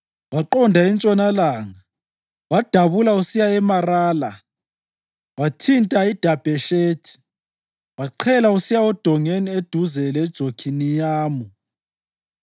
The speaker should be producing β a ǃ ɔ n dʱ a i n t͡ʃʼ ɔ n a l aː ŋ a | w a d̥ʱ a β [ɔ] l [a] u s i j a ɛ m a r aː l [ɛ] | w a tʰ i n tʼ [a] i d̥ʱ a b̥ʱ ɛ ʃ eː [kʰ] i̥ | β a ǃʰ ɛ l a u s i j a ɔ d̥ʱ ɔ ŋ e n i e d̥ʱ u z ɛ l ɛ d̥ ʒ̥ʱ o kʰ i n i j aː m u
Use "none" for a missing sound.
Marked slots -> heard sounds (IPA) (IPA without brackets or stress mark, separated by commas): u, a, a, a, tʰ